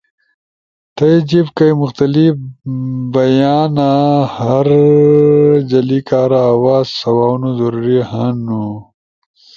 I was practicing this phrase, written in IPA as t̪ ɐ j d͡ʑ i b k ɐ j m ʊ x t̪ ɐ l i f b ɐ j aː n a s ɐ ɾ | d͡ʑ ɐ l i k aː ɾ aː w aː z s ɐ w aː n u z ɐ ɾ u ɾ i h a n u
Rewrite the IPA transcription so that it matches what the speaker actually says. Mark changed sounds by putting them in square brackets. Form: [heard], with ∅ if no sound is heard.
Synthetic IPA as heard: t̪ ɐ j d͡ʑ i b k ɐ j m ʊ x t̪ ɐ l i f b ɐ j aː n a [h] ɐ ɾ | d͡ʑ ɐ l i k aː ɾ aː w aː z s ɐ w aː n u z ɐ ɾ u ɾ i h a n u

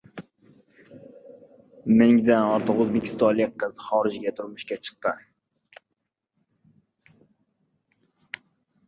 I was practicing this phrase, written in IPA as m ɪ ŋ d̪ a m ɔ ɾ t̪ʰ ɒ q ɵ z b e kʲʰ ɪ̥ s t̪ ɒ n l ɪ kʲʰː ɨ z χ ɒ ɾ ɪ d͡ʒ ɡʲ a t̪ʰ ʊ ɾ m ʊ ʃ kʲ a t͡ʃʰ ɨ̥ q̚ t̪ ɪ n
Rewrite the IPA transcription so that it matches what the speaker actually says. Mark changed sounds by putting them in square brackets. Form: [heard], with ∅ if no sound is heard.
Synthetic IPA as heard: m ɪ ŋ d̪ a [n] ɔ ɾ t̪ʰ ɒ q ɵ z b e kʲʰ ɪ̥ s t̪ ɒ n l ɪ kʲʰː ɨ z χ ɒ ɾ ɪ d͡ʒ ɡʲ a t̪ʰ ʊ ɾ m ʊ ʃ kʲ a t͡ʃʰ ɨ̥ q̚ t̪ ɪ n

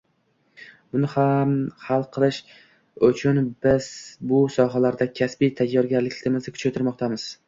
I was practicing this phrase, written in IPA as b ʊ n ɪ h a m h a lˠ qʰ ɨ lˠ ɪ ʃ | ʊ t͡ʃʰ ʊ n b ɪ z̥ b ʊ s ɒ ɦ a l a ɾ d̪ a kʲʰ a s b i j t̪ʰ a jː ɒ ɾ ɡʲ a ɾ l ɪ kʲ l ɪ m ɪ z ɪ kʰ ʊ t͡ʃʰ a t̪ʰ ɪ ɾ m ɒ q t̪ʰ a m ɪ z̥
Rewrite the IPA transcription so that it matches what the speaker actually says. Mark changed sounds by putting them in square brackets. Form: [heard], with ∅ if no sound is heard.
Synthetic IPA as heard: b ʊ n ɪ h a m h a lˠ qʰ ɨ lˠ ɪ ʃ | ʊ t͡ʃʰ ʊ n b ɪ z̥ b ʊ s ɒ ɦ a l a ɾ d̪ a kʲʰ a s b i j t̪ʰ a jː ɒ ɾ ɡʲ a ɾ l ɪ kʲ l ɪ m ɪ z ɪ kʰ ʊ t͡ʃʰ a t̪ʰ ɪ ɾ m ɒ q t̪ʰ a m ɪ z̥

